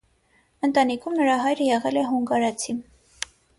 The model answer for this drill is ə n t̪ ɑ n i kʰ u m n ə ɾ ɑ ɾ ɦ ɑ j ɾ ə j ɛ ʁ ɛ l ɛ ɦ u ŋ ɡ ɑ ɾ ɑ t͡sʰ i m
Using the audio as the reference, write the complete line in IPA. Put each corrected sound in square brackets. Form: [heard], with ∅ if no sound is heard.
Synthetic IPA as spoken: ə n t̪ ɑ n i kʰ u m n ə ɾ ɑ [∅] ɦ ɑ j ɾ ə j ɛ ʁ ɛ l ɛ ɦ u ŋ ɡ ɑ ɾ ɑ t͡sʰ i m